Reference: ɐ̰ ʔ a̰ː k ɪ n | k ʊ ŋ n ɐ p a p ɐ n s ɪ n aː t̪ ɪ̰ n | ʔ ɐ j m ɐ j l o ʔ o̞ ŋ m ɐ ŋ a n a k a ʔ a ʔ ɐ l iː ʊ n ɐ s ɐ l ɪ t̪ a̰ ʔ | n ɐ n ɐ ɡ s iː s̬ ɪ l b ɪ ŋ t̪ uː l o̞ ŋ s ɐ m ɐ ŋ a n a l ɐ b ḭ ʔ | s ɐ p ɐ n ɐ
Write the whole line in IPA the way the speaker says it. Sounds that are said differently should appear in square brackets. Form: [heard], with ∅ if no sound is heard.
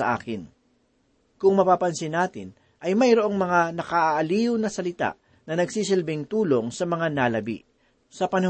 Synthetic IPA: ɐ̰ ʔ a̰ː k ɪ n | k ʊ ŋ [m] ɐ p a p ɐ n s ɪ n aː t̪ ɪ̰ n | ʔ ɐ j m ɐ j [ɾ] o ʔ o̞ ŋ m ɐ ŋ a n [ɐ] k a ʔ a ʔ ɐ l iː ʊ n ɐ s ɐ l ɪ t̪ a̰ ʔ | n ɐ n ɐ ɡ s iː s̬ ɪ l b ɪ ŋ t̪ uː l o̞ ŋ s ɐ m ɐ ŋ a n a l ɐ b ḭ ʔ | s ɐ p ɐ n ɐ